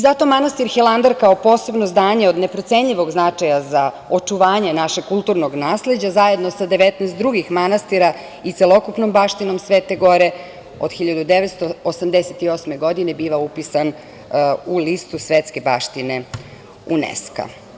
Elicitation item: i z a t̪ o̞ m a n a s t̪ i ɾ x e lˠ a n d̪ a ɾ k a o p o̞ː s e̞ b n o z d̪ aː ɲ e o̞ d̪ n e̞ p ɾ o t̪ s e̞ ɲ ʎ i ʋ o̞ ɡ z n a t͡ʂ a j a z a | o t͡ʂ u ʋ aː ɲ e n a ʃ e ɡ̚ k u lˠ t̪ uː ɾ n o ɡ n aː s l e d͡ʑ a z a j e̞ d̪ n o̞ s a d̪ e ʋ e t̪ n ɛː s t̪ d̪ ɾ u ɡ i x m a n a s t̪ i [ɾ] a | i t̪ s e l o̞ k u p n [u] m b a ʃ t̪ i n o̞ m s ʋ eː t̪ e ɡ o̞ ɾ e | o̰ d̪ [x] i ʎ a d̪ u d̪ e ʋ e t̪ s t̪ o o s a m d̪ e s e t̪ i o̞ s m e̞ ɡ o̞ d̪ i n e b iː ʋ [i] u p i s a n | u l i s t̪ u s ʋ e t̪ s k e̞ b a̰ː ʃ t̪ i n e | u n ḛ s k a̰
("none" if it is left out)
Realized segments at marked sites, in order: ɾ, o, x, a

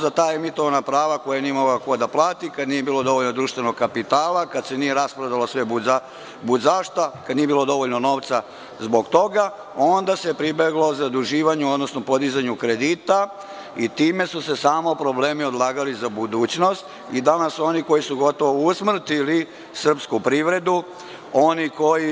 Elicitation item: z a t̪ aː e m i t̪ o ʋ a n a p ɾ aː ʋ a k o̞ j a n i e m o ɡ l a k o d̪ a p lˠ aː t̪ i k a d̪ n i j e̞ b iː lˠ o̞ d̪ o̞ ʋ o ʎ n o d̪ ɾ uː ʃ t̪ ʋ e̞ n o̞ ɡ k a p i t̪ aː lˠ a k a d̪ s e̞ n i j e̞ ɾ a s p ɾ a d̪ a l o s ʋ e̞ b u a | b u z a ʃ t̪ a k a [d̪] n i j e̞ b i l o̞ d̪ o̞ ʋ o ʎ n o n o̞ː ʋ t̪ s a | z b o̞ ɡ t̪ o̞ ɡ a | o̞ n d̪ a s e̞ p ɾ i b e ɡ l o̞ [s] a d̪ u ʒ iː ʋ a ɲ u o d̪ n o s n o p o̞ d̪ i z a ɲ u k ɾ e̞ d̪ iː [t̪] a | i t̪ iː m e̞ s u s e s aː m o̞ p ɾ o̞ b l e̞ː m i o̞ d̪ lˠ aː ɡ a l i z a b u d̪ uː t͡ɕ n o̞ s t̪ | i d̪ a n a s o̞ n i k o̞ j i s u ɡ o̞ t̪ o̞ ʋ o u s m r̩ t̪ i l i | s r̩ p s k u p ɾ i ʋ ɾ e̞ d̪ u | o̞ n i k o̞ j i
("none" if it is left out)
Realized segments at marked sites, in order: d̪, z, t̪

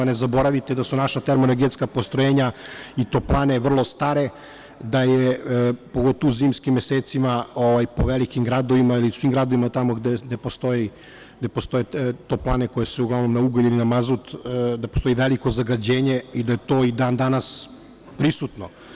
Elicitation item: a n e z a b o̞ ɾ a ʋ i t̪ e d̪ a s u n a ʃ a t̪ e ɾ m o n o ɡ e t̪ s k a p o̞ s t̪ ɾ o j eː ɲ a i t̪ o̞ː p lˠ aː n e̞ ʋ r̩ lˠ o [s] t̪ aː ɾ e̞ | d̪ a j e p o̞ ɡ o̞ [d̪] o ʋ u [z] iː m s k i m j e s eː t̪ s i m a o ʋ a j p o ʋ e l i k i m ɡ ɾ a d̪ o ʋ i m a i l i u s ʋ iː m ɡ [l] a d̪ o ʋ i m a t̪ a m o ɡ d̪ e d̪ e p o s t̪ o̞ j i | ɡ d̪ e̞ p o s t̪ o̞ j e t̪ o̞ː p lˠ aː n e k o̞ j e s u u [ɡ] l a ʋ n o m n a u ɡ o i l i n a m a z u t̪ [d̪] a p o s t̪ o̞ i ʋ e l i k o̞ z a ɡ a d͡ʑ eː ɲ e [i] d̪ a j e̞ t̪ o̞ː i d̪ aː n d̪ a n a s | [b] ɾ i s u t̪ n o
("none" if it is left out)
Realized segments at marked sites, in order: s, t̪, z, ɾ, ɡ, d̪, i, p

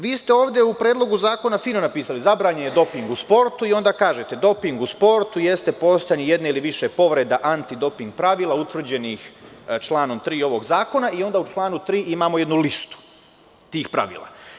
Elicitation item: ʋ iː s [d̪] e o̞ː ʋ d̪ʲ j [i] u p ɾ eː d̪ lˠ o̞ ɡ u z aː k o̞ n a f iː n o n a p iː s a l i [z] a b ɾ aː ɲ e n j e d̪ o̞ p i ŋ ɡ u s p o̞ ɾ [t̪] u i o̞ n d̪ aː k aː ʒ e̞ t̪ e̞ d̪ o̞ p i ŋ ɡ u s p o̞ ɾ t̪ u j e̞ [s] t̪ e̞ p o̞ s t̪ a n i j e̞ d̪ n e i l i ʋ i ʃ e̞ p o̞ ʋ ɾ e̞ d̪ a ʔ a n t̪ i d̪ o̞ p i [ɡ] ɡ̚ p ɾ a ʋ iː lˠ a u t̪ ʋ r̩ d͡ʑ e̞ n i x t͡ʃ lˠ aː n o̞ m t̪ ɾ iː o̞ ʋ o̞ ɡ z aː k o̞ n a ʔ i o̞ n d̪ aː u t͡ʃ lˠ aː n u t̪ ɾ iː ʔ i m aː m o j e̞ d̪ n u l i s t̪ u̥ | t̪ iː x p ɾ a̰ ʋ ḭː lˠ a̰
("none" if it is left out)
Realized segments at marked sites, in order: t̪, e, z, t̪, s, ŋ

